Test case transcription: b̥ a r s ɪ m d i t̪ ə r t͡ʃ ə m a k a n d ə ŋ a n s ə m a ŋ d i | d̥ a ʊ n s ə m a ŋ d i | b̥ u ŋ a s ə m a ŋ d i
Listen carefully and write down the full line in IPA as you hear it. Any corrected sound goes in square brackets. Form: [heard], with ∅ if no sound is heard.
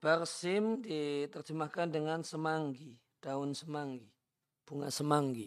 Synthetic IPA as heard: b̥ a r s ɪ m d i t̪ ə r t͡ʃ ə m a k a n d ə ŋ a n s ə m a ŋ [ɡ] i | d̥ a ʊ n s ə m a ŋ [ɡ] i | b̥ u ŋ a s ə m a ŋ [ɡ] i